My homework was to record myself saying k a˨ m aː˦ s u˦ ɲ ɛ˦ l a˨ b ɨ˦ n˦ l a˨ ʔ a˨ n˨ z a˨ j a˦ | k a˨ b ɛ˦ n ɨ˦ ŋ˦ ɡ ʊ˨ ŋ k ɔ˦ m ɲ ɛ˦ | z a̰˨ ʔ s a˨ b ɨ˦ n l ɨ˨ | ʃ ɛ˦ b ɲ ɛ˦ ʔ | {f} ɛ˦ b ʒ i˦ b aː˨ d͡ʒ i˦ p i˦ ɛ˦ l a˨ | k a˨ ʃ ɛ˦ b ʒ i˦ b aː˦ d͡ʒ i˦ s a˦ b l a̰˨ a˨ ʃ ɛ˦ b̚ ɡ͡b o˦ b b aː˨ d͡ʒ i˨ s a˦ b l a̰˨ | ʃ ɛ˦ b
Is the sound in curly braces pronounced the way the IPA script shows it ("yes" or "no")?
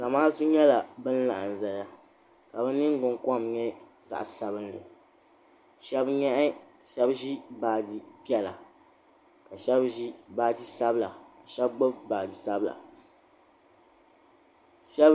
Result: no